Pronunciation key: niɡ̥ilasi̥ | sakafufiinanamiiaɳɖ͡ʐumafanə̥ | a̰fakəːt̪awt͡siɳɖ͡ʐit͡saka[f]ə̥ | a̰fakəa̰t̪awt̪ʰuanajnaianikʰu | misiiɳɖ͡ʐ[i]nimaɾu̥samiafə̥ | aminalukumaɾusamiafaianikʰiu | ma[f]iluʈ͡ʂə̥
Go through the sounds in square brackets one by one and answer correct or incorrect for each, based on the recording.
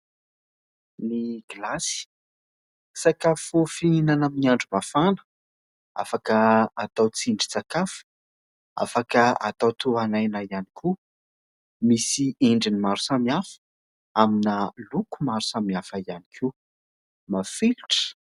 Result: correct, correct, correct

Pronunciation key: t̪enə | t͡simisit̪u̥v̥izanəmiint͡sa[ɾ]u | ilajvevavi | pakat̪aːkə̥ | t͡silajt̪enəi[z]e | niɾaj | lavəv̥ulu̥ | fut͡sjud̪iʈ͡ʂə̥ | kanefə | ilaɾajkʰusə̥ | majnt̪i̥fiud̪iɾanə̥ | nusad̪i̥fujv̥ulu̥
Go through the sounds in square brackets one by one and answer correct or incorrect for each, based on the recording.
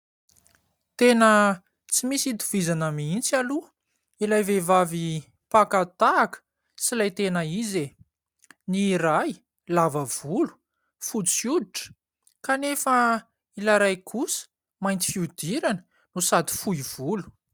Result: incorrect: l, correct

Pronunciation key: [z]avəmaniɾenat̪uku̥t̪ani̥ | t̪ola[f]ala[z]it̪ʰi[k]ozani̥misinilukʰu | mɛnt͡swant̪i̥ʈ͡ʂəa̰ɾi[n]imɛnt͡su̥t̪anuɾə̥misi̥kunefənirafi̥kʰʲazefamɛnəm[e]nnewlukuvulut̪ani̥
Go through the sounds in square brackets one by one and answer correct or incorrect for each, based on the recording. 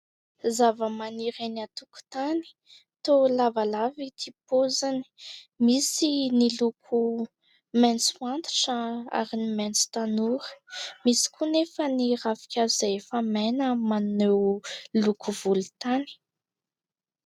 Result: correct, incorrect: v, incorrect: v, incorrect: p, correct, incorrect: a

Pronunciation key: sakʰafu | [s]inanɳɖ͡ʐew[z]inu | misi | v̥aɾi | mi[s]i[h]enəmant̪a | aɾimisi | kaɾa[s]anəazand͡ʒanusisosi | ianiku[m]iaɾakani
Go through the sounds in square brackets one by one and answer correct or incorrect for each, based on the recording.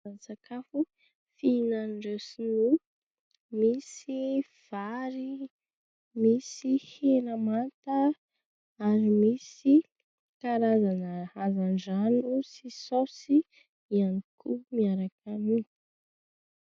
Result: incorrect: f, incorrect: s, correct, correct, incorrect: z, correct

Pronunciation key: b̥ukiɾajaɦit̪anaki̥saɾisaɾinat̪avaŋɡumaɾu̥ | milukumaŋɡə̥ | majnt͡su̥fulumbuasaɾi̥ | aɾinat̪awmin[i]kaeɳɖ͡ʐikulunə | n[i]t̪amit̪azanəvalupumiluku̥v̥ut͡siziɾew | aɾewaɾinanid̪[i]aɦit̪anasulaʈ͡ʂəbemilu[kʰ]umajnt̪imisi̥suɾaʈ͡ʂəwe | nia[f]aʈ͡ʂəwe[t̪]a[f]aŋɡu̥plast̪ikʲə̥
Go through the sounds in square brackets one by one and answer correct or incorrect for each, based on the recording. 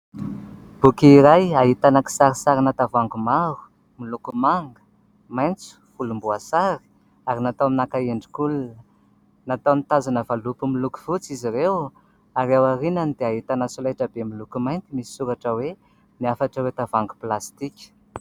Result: incorrect: a, incorrect: a, incorrect: e, incorrect: k, correct, correct, incorrect: v

